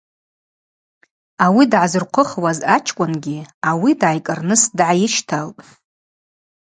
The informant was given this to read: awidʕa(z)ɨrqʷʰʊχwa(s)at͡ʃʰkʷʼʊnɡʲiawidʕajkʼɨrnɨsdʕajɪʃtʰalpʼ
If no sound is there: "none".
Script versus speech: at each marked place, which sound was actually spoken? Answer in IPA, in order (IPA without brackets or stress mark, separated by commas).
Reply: z, z